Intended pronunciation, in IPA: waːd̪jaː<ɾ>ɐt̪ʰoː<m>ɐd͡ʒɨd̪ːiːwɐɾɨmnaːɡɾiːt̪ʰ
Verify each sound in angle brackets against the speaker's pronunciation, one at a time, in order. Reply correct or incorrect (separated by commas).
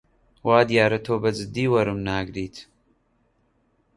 correct, incorrect